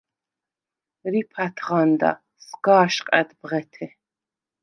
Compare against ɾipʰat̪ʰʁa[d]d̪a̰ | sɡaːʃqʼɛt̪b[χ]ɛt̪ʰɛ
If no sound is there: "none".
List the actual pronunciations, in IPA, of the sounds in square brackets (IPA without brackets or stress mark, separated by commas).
n, ʁ